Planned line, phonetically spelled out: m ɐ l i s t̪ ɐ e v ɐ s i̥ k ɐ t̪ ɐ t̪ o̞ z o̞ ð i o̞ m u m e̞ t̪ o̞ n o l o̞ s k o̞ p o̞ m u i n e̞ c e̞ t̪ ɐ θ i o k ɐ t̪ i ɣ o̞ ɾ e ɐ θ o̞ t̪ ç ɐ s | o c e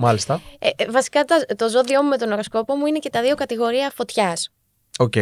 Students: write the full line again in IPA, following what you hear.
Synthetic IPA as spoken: m ɐ l i s t̪ ɐ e v ɐ s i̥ k ɐ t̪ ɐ t̪ o̞ z o̞ ð i o̞ m u m e̞ t̪ o̞ n o ɾ o̞ s k o̞ p o̞ m u i n e̞ c e̞ t̪ ɐ ð i o k ɐ t̪ i ɣ o̞ ɾ i ɐ f o̞ t̪ ç ɐ s | o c e